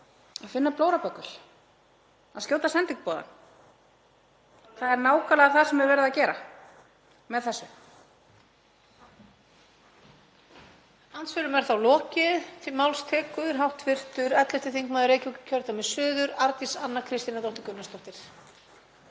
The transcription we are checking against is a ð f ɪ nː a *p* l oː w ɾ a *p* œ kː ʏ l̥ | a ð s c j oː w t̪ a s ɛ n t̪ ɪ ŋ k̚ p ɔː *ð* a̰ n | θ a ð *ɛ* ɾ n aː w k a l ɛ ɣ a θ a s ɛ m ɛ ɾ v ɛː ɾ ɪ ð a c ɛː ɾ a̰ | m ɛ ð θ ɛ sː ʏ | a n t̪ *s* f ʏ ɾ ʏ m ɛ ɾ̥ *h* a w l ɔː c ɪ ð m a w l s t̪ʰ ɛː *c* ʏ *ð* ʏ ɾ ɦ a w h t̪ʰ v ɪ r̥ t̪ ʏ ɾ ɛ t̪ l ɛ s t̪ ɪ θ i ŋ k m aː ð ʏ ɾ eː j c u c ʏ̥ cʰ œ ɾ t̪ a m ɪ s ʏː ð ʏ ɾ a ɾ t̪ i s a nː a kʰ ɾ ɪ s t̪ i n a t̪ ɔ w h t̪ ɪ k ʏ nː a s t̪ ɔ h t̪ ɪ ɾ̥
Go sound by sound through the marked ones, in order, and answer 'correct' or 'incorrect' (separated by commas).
correct, correct, correct, correct, correct, incorrect, incorrect, correct